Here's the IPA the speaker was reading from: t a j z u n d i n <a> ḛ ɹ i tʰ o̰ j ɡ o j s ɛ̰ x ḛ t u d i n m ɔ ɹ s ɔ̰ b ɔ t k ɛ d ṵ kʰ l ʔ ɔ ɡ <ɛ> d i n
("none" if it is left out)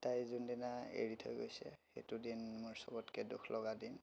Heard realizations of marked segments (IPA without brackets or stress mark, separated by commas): a, a